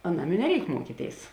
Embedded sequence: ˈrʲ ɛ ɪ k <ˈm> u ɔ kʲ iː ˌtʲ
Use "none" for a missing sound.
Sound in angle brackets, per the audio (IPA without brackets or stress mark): m